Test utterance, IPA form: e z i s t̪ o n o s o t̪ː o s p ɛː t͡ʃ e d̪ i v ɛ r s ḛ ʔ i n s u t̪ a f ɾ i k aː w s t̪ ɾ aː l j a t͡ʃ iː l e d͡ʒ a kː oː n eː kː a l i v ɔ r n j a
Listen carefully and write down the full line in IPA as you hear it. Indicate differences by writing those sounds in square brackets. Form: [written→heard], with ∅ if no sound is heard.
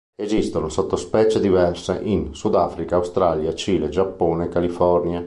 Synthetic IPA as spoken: e z i s t̪ o n o s o t̪ː o s p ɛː t͡ʃ e d̪ i v ɛ r s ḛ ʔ i n s u [t̪→d̪] a f ɾ i k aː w s t̪ ɾ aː l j a t͡ʃ iː l e d͡ʒ a [kː→pː] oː n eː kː a l i [v→f] ɔ r n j a